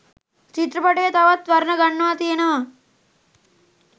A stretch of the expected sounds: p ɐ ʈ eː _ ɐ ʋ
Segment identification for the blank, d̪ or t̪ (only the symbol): t̪